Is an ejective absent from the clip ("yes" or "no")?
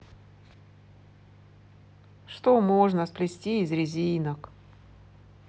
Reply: yes